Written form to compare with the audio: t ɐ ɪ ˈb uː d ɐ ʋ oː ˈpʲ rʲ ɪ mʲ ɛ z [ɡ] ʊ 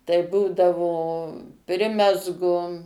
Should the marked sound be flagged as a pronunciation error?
no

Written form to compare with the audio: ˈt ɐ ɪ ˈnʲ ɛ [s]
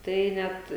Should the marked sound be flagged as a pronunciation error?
yes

